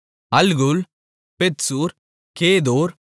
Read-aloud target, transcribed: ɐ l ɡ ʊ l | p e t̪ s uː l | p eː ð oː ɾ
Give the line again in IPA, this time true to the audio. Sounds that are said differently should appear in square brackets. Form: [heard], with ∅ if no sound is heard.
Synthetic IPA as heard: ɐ l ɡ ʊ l | p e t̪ s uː [ɾ] | [k] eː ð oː ɾ

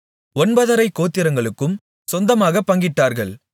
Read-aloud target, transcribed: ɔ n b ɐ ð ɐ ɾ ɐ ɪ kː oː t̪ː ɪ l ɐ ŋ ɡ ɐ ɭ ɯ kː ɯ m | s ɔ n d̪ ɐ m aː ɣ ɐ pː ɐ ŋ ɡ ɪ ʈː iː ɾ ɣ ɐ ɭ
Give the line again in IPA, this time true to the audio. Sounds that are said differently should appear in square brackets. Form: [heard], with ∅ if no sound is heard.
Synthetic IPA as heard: ɔ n b ɐ ð ɐ ɾ ɐ ɪ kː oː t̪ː ɪ [ɾ] ɐ ŋ ɡ ɐ ɭ ɯ kː ɯ m | s ɔ n d̪ ɐ m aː ɣ ɐ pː ɐ ŋ ɡ ɪ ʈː [aː] ɾ ɣ ɐ ɭ

